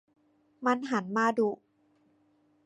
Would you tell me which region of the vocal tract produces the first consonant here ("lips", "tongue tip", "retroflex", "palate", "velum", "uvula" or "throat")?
lips